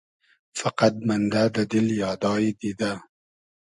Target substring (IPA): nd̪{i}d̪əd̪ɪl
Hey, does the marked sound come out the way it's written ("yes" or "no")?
no